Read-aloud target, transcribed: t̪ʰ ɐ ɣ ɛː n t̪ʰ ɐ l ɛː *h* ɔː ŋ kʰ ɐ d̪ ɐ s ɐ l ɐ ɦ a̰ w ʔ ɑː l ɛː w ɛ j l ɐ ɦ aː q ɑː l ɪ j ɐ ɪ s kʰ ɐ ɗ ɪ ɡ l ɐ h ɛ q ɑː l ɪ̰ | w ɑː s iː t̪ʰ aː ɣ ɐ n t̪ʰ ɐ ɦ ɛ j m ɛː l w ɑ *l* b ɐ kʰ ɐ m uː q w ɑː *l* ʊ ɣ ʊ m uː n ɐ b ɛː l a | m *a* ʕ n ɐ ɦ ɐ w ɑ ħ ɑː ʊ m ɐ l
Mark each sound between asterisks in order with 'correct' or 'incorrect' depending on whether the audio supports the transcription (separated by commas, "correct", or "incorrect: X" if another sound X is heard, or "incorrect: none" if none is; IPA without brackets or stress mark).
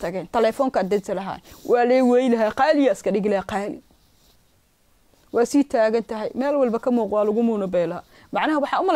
incorrect: f, correct, correct, incorrect: ɑ